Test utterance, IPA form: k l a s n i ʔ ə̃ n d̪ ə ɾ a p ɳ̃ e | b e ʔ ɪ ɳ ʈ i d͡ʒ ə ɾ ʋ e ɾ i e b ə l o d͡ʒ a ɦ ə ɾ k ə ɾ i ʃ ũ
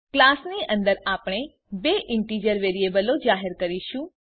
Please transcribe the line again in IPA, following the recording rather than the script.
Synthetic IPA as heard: k l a s n i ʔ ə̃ n d̪ ə ɾ a p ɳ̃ e | b e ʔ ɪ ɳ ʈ i d͡ʒ ə ɾ ʋ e ɾ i e b ə l o d͡ʒ a ɦ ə ɾ k ə ɾ i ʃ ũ